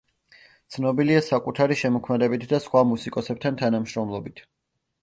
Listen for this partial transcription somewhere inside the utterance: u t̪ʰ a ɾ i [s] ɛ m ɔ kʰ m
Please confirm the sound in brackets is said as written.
no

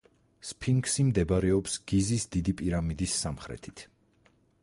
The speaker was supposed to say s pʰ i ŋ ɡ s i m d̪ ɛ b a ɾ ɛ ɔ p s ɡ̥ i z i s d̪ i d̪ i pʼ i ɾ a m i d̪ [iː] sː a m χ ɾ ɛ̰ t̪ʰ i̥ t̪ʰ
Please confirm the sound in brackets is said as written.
no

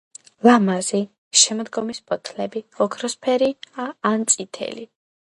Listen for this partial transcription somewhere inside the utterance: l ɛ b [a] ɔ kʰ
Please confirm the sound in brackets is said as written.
no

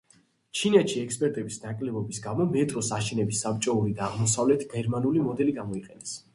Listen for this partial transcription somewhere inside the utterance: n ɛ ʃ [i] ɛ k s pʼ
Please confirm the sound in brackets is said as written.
yes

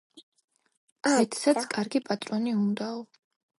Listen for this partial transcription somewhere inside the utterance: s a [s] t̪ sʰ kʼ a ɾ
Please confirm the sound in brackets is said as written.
no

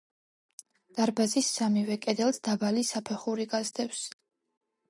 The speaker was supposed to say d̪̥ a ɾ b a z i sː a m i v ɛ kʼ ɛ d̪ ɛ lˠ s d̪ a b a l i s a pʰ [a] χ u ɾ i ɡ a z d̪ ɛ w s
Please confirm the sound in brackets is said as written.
no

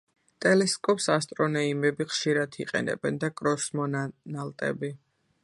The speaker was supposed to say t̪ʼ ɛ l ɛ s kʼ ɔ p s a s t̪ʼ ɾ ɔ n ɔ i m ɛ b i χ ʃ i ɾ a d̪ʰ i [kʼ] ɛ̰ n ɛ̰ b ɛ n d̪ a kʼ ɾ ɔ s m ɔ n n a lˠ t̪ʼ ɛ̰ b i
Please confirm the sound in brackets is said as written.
no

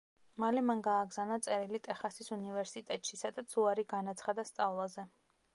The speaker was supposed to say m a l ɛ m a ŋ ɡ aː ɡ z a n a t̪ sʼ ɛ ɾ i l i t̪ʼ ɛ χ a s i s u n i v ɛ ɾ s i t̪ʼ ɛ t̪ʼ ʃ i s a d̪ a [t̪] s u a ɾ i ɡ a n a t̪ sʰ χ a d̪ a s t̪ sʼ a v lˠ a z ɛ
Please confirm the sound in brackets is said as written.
yes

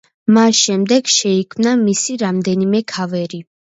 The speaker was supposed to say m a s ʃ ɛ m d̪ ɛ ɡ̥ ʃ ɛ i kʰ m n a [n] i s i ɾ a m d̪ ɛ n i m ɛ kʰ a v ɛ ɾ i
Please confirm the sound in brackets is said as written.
no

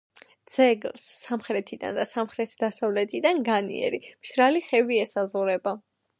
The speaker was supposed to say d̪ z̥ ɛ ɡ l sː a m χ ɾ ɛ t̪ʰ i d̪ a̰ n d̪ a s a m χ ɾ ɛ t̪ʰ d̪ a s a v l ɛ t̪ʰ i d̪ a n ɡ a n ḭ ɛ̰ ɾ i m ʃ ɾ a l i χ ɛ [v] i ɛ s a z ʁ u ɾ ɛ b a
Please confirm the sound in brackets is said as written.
yes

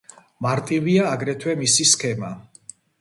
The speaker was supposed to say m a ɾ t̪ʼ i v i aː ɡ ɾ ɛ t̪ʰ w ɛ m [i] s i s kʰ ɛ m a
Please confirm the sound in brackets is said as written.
yes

